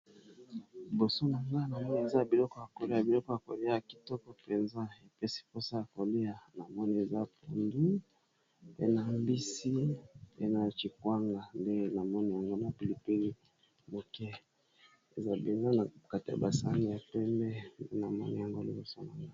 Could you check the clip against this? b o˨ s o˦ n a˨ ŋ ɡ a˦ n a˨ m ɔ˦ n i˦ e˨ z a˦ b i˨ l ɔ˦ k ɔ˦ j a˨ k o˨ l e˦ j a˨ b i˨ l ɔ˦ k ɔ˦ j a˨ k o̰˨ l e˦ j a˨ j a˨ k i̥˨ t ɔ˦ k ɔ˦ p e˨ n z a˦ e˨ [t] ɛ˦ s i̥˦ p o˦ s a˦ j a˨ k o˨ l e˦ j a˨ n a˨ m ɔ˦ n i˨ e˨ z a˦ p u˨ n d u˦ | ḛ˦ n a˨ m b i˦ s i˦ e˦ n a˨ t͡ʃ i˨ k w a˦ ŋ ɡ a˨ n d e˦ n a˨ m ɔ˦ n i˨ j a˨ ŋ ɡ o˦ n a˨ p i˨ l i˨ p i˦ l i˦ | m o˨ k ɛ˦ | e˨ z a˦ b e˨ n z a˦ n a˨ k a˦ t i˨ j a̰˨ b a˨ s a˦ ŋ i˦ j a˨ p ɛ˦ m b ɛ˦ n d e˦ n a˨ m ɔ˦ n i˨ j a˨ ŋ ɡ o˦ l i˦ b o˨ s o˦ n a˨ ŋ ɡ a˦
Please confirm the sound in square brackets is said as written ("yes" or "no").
no